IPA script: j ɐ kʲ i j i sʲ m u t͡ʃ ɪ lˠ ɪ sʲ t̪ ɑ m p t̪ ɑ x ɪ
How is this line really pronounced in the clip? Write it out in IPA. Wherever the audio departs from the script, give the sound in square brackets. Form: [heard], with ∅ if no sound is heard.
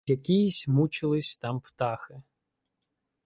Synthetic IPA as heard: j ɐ kʲ i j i sʲ m u t͡ʃ ɪ lˠ ɪ sʲ t̪ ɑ m p t̪ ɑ x ɪ